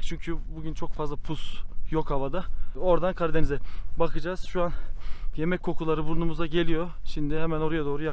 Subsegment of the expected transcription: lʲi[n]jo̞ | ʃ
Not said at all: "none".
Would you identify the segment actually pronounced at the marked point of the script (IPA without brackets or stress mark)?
none